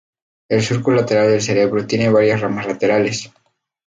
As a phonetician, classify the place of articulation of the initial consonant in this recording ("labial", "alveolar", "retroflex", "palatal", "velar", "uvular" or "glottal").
alveolar